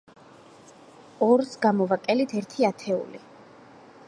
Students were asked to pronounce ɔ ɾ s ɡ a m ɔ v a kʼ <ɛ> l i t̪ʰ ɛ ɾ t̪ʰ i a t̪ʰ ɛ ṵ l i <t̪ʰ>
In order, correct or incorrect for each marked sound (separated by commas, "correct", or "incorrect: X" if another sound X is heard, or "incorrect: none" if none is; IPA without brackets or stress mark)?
correct, incorrect: none